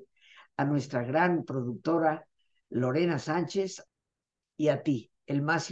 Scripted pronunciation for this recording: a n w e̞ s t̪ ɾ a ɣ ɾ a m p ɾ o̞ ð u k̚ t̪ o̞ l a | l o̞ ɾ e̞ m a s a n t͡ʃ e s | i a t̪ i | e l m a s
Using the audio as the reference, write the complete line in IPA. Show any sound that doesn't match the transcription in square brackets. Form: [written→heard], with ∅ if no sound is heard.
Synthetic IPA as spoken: a n w e̞ s t̪ ɾ a ɣ ɾ a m p ɾ o̞ ð u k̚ t̪ o̞ [l→ɾ] a | l o̞ ɾ e̞ [m→n] a s a n t͡ʃ e s | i a t̪ i | e l m a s